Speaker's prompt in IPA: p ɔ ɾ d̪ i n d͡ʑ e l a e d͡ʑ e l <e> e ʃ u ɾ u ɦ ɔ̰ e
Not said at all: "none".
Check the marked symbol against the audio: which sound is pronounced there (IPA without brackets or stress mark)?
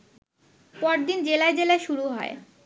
a